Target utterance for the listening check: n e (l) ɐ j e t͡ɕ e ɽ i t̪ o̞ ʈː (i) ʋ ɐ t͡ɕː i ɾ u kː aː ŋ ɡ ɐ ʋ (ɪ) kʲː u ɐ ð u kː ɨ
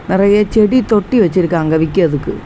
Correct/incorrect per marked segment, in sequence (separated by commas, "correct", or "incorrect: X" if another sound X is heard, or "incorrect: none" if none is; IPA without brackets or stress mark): incorrect: r, correct, incorrect: i